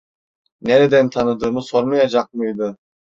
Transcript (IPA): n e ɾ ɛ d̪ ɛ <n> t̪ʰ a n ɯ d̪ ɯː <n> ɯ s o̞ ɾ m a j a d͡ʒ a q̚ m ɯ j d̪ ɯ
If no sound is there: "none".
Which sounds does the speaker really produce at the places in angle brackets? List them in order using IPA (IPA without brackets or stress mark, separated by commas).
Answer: n, m